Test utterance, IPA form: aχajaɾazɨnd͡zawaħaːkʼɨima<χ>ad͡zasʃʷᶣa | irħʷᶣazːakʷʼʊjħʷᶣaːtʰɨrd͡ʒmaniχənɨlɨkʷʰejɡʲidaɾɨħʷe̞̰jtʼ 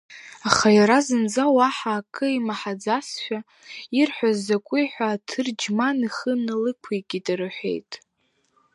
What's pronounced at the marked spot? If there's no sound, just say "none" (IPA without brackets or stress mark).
ħ